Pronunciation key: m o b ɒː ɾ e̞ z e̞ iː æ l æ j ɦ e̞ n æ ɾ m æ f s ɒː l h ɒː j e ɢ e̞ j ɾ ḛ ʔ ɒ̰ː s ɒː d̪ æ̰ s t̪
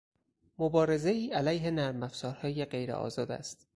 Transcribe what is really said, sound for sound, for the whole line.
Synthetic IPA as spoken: m o b ɒː ɾ e̞ z e̞ iː æ l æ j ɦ e̞ n æ ɾ m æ f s ɒː ɾ h ɒː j e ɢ e̞ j ɾ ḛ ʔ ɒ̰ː z ɒː d̪ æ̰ s t̪